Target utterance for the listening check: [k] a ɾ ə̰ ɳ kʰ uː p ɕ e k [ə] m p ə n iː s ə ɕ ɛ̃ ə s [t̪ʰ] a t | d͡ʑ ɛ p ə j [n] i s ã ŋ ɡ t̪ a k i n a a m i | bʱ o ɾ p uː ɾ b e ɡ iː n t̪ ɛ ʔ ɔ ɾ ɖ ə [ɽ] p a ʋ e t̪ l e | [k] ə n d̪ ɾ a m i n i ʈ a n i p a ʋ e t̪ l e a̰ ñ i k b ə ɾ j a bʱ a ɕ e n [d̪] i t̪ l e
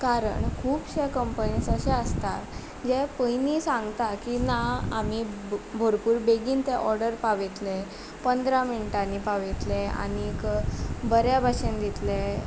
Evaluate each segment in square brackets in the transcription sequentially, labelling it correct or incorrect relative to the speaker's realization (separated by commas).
correct, correct, incorrect, correct, incorrect, incorrect, correct